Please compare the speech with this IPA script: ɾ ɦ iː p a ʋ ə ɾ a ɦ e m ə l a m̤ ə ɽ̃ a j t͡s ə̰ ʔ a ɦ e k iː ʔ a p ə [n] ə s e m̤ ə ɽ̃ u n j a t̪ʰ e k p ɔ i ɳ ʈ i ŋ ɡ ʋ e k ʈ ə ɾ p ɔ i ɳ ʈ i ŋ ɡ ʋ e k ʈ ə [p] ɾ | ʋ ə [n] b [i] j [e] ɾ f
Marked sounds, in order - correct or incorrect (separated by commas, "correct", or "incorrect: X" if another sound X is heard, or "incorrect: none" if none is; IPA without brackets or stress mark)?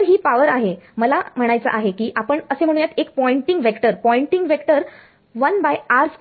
incorrect: ɳ, incorrect: none, correct, incorrect: a, incorrect: a